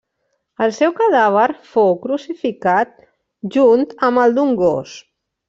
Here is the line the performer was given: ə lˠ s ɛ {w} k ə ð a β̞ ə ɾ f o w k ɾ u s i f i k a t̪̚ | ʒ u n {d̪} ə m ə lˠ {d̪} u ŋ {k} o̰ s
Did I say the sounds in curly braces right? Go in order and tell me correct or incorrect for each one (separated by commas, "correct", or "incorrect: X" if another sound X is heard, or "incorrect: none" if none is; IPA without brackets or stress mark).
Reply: correct, incorrect: t̪, correct, incorrect: ɡ